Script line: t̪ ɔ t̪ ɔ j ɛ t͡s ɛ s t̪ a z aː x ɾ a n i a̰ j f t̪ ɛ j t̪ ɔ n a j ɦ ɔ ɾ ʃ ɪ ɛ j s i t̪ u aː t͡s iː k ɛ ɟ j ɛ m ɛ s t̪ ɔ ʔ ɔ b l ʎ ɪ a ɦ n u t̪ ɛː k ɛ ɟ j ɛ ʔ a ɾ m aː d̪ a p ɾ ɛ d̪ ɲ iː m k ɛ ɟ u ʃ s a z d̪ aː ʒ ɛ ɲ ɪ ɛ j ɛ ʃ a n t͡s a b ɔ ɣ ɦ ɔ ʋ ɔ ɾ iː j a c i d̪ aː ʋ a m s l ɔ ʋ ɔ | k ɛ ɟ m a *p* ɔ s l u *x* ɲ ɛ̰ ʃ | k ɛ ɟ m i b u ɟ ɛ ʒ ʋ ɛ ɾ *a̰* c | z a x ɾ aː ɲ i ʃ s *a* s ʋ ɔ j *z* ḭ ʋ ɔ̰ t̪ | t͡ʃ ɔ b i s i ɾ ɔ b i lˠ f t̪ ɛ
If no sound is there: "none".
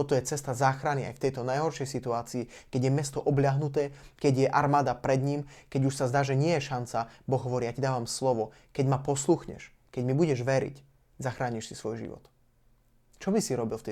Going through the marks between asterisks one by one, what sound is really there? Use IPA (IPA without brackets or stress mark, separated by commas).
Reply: p, x, ḭ, i, ʒ